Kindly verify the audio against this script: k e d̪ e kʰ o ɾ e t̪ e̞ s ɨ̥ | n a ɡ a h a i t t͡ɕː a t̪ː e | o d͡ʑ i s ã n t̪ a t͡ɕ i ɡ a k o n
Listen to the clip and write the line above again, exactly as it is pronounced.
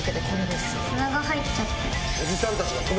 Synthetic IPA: k e d̪ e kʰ o ɾ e d̪ e̞ s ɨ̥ | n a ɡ a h a i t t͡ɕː a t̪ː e | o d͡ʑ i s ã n t̪ a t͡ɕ i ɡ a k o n